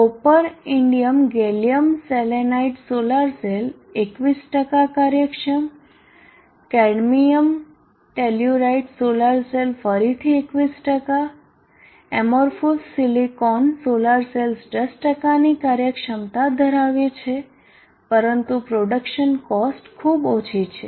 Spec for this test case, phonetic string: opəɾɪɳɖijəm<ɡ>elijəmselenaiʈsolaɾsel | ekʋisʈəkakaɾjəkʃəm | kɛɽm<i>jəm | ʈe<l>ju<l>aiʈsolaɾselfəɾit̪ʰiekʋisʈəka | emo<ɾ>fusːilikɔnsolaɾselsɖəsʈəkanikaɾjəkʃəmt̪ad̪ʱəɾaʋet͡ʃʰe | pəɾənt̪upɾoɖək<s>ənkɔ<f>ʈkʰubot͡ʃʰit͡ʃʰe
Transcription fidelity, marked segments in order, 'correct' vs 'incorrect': correct, correct, correct, incorrect, correct, incorrect, incorrect

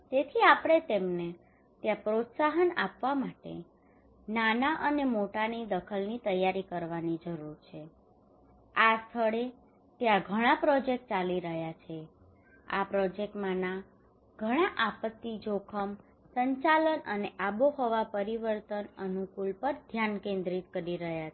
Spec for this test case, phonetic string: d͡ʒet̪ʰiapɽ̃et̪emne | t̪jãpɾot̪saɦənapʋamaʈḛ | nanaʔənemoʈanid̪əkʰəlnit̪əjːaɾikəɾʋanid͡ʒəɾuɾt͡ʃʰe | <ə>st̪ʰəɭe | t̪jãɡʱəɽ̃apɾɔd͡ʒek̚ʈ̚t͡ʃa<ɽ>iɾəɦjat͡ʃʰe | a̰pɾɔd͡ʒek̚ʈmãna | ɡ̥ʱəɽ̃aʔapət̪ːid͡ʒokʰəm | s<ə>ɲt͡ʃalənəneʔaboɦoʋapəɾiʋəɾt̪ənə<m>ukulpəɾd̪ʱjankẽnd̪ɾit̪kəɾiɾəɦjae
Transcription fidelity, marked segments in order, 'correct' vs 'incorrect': incorrect, incorrect, correct, incorrect

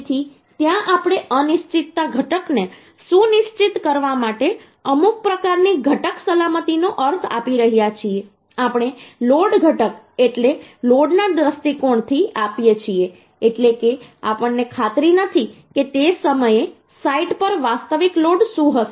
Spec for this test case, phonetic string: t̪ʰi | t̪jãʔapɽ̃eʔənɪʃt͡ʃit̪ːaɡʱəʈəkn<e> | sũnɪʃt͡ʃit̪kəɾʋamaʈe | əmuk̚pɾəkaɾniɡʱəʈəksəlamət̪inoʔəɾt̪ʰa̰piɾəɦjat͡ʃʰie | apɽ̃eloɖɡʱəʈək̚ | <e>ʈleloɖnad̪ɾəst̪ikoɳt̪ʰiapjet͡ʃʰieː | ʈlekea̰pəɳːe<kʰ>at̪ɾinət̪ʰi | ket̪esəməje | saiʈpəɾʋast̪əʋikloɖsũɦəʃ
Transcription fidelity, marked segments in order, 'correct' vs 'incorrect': correct, correct, correct

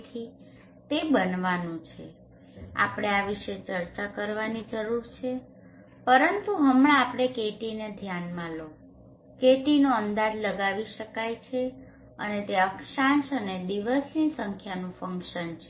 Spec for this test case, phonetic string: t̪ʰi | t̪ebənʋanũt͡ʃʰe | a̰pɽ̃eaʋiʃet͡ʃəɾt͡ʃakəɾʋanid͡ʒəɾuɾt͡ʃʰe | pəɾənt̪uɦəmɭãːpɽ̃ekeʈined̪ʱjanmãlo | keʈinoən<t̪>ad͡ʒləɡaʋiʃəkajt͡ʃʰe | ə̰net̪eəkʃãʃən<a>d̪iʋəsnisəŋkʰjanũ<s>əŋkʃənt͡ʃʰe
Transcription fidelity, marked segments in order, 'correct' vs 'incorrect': incorrect, incorrect, incorrect

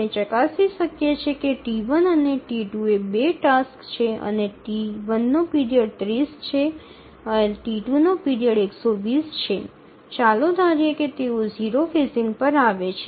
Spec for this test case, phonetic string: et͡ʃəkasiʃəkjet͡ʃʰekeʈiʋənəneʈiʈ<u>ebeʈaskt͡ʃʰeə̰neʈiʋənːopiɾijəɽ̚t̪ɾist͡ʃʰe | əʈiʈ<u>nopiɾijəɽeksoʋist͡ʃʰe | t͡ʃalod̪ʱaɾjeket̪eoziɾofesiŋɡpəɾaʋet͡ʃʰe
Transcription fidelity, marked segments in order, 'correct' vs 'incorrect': correct, correct

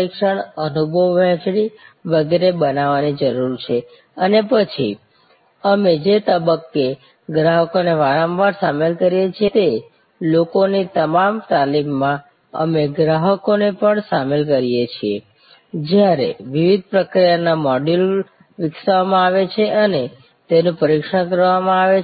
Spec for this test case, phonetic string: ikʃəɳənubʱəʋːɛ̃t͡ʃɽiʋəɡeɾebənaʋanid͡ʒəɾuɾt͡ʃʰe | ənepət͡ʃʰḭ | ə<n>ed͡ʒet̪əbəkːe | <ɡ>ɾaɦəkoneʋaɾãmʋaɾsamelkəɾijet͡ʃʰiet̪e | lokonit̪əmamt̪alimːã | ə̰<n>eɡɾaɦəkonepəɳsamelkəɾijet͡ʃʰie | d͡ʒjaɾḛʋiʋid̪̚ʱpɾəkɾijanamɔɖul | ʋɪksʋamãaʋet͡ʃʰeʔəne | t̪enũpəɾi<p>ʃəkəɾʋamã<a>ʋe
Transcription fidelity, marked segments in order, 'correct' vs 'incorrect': incorrect, correct, incorrect, incorrect, correct

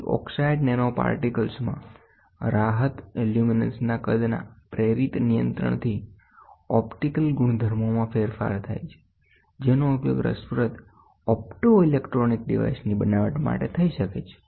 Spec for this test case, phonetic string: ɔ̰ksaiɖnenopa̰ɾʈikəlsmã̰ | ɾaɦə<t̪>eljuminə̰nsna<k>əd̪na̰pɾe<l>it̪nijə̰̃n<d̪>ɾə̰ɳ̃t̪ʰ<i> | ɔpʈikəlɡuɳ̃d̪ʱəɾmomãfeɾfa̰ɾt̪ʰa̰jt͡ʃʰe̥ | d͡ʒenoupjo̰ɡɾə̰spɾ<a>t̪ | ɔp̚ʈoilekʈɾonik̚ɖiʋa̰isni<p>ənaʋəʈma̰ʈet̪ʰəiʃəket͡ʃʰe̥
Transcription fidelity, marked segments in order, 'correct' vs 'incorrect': correct, correct, incorrect, incorrect, correct, incorrect, incorrect

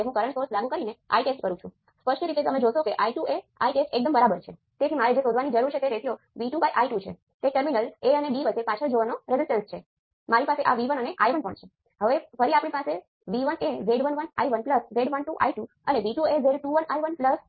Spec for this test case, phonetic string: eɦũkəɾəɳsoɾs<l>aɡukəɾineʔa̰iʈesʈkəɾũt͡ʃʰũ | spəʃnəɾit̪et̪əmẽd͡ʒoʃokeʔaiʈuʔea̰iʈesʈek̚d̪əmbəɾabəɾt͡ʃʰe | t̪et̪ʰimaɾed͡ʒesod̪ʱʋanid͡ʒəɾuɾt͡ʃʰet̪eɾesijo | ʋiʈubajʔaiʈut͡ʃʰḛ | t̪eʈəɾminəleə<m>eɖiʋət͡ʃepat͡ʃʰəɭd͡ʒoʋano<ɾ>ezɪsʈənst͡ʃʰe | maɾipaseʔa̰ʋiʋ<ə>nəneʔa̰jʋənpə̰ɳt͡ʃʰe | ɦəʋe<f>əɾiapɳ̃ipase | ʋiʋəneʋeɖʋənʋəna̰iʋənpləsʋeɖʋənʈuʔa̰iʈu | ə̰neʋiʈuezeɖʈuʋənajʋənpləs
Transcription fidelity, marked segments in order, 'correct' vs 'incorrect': correct, incorrect, correct, correct, correct

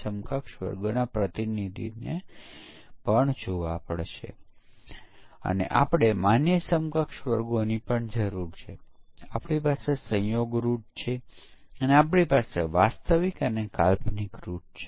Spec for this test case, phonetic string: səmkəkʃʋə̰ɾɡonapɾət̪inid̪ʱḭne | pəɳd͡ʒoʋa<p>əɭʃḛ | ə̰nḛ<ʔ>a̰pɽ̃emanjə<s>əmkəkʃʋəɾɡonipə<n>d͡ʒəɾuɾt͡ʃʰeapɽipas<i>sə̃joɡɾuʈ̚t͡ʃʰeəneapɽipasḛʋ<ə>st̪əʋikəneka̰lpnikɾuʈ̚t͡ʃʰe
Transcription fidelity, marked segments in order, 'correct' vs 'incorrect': correct, correct, correct, incorrect, incorrect, incorrect

